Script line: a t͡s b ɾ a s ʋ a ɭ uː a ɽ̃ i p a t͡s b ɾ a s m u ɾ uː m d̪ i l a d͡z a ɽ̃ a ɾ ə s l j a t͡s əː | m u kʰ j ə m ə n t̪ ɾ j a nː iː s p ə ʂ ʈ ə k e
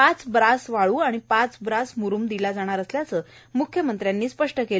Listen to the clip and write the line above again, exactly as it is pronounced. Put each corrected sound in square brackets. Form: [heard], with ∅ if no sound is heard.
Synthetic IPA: a t͡s b ɾ a s ʋ a ɭ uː a ɽ̃ i p a t͡s b ɾ a s m u ɾ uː m d̪ i l a d͡z a ɽ̃ a ɾ ə s l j a t͡s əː | m u kʰ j ə m ə n t̪ ɾ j a nː iː s p ə ʂ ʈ ə k e